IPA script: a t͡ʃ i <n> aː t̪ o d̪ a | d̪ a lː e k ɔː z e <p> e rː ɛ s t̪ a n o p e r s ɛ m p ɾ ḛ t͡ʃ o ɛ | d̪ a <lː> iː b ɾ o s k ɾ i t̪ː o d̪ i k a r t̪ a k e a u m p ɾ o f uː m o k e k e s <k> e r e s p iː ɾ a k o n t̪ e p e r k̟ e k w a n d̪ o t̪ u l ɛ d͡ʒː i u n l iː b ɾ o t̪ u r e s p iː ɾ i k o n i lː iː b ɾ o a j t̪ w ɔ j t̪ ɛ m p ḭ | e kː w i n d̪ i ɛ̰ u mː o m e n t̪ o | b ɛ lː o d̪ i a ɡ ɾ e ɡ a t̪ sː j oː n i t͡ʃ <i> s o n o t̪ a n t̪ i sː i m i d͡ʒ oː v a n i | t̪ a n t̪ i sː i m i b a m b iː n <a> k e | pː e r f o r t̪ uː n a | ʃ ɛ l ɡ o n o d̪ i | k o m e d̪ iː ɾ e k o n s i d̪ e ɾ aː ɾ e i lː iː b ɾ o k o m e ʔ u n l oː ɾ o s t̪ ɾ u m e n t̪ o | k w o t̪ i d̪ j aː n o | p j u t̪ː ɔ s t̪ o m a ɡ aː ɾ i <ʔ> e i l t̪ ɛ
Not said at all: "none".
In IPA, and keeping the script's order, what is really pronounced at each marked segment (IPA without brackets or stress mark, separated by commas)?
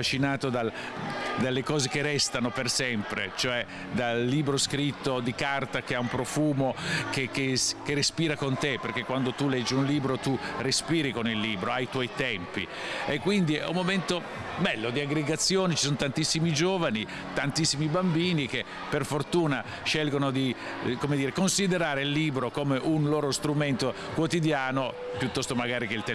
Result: n, k, lː, k, i, i, k